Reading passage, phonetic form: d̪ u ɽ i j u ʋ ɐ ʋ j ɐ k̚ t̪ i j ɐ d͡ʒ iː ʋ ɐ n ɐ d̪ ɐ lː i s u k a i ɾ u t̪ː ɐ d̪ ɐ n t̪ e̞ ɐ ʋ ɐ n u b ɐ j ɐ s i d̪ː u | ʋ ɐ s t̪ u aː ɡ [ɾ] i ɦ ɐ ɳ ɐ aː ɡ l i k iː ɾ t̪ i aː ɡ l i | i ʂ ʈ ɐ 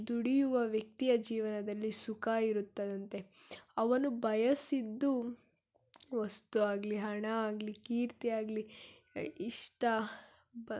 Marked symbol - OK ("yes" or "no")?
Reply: no